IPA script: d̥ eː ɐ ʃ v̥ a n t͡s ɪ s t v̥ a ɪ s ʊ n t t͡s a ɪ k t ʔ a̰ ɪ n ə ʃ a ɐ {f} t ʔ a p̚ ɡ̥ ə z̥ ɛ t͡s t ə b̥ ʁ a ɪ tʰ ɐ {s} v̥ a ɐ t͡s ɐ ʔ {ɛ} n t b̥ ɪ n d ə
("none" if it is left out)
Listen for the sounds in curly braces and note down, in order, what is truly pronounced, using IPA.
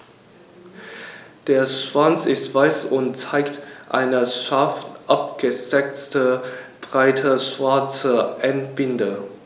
f, ʃ, ɛ

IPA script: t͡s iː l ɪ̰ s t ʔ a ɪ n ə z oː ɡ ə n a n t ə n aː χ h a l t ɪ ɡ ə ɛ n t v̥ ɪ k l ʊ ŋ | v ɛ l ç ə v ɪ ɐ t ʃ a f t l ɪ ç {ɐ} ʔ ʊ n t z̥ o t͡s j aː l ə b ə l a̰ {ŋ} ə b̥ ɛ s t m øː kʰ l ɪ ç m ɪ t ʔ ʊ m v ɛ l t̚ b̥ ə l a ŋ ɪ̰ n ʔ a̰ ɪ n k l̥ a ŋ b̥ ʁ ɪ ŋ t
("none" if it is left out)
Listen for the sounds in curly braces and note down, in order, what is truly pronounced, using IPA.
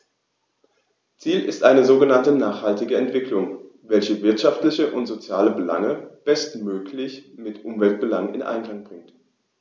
ə, ŋ

